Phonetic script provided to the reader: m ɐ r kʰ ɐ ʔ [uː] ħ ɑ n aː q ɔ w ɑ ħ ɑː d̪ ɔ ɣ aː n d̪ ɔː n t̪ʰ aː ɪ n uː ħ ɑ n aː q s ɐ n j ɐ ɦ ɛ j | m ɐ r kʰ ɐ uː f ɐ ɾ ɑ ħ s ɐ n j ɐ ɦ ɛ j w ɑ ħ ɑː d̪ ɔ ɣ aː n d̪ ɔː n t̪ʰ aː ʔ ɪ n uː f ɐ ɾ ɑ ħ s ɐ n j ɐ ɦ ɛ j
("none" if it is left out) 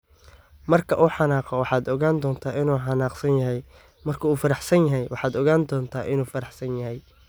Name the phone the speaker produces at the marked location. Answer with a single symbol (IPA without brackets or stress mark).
uː